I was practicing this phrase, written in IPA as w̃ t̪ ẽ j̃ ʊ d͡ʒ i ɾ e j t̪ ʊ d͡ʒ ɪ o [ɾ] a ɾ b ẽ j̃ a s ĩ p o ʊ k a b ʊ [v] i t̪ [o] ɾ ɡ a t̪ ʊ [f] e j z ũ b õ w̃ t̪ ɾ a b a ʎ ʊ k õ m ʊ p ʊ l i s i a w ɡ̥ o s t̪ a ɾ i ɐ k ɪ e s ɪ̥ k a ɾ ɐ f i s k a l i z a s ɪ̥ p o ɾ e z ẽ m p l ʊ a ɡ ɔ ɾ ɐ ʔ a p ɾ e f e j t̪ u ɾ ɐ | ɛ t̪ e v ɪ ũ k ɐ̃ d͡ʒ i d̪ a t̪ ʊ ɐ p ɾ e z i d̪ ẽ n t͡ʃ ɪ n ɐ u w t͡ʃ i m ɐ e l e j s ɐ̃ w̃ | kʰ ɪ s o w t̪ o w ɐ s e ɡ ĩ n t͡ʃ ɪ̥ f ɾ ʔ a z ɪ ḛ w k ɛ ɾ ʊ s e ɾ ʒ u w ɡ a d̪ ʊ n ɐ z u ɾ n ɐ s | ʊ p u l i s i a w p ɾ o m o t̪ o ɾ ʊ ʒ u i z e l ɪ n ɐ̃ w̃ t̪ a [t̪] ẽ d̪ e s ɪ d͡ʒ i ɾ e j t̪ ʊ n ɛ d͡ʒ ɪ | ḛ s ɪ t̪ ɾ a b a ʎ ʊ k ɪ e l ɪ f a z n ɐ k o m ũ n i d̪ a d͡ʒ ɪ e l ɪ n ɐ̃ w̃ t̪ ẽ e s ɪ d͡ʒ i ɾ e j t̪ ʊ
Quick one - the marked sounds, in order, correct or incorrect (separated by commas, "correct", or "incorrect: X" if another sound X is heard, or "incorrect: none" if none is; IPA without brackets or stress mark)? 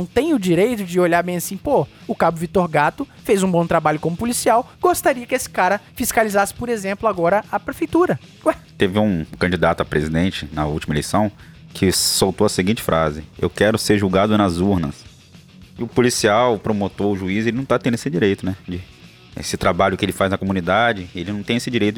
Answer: incorrect: ʎ, correct, correct, correct, correct